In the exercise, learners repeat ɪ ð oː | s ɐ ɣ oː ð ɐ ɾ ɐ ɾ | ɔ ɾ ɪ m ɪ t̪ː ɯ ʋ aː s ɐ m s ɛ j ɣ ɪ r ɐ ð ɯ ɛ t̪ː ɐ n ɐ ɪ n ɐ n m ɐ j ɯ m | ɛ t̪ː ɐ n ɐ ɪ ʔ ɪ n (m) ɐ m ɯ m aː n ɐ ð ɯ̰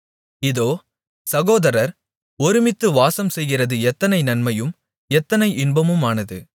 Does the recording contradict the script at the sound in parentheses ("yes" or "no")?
yes